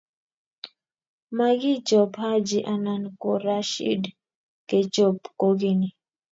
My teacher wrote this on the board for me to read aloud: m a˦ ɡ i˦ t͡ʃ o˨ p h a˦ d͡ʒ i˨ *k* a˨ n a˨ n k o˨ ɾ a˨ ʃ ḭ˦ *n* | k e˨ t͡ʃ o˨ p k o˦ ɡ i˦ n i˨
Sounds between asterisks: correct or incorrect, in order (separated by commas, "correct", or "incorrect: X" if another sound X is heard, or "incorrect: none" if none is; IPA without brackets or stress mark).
incorrect: ʔ, incorrect: d